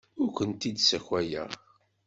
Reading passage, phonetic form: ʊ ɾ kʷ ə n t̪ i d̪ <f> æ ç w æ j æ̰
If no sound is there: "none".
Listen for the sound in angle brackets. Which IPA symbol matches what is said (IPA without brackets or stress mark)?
s